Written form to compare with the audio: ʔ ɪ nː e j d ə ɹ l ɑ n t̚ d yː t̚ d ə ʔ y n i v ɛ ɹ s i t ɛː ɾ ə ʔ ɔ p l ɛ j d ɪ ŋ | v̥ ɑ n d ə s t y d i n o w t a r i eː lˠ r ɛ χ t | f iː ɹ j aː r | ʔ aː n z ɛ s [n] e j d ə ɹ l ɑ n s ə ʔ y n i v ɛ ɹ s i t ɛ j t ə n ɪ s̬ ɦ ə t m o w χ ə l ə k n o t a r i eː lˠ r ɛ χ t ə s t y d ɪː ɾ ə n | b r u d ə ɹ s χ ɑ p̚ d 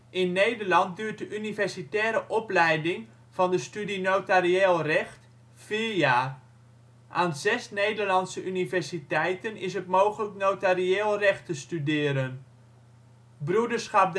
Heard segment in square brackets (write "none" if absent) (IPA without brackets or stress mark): n